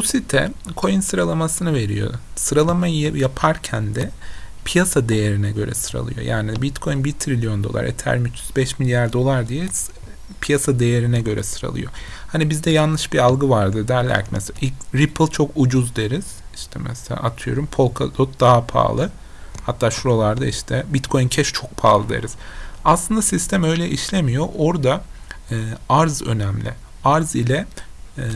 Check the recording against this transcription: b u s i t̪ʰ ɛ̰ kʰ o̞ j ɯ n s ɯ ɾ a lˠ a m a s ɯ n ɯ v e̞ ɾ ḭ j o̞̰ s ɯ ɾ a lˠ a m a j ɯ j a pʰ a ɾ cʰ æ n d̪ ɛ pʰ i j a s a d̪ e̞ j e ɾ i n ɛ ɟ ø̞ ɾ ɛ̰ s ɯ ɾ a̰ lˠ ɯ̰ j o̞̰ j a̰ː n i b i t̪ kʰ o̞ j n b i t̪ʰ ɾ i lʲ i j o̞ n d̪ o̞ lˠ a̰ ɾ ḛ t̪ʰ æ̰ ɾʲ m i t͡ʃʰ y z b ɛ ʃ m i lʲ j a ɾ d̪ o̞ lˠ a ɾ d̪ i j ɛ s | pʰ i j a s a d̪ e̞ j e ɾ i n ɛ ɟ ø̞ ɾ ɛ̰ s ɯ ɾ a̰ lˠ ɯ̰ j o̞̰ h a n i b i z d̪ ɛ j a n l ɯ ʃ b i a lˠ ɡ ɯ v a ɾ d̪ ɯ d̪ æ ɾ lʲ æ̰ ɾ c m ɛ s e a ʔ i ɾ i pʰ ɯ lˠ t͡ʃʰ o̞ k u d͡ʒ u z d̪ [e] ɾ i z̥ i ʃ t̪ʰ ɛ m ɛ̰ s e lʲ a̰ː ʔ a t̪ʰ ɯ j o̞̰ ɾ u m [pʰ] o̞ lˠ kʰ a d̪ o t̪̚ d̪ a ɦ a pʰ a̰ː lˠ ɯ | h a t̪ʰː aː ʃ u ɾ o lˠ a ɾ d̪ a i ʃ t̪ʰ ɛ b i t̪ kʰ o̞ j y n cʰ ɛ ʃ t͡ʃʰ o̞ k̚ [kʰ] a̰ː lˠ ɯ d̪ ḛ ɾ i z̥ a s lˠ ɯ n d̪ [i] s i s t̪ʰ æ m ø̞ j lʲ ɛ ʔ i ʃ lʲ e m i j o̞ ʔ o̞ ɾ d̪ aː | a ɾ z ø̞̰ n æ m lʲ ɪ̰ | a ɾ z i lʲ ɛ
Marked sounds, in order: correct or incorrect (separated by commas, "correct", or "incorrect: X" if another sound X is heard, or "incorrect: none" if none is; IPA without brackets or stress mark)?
correct, correct, incorrect: pʰ, incorrect: a